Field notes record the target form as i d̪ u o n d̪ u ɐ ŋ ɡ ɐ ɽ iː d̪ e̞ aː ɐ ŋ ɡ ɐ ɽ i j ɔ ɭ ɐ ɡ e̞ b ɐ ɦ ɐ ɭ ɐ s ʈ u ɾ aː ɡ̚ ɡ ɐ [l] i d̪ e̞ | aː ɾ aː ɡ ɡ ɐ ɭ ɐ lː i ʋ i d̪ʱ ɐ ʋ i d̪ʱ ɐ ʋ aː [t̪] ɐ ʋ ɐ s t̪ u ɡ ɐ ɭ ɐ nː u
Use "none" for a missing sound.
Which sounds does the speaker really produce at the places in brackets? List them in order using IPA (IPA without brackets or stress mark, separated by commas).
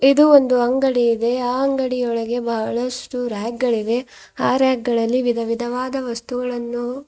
ɭ, d̪